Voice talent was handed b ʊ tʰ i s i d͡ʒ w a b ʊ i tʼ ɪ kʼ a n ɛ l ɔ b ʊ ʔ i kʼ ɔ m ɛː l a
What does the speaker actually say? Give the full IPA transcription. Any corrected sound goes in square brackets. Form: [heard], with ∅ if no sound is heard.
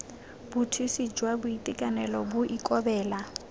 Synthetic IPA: b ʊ tʰ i s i d͡ʒ w a b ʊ i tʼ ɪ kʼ a n ɛ l ɔ b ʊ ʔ i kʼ ɔ [b] ɛː l a